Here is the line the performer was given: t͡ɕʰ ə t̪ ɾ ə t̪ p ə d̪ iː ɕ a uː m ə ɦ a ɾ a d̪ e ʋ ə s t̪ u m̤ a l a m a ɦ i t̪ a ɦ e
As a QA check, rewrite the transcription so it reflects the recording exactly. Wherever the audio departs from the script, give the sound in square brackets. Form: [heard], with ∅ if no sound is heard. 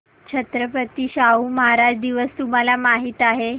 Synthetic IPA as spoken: t͡ɕʰ ə t̪ ɾ ə [∅] p ə [t̪] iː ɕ a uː m ə ɦ a ɾ a d̪ [i] ʋ ə s t̪ u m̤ a l a m a ɦ i t̪ a ɦ e